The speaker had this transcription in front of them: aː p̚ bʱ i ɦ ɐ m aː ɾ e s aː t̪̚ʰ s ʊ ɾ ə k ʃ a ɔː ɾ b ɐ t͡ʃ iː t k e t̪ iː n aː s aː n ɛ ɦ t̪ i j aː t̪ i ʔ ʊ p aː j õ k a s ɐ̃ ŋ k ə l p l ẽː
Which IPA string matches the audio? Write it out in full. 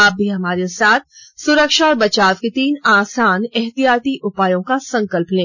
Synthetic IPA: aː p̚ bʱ i ɦ ɐ m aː ɾ e s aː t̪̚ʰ s ʊ ɾ ə k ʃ a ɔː ɾ b ɐ t͡ʃ aː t k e t̪ iː n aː s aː n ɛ ɦ t̪ i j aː t̪ i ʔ ʊ p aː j õ k a s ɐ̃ ŋ k ə l p l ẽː